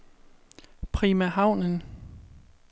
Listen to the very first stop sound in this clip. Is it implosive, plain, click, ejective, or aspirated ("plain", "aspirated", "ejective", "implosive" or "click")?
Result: aspirated